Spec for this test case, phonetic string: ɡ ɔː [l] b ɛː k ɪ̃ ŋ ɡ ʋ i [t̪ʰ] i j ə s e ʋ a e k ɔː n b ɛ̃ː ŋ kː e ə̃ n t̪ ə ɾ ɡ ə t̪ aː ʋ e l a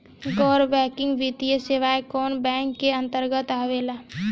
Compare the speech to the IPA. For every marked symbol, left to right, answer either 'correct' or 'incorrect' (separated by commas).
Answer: incorrect, incorrect